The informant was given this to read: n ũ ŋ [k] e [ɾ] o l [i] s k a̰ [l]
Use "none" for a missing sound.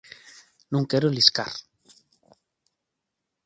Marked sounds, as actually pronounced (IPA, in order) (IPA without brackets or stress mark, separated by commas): k, ɾ, i, ɾ